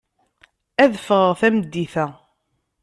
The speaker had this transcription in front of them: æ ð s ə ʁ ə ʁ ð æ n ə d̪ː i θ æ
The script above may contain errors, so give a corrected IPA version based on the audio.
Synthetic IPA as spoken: æ ð f ə ʁ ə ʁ θ æ m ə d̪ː i θ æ